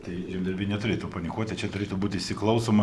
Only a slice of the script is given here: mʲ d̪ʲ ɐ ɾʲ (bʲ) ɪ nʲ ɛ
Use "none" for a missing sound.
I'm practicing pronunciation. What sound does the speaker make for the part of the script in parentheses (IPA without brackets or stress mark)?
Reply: bʲ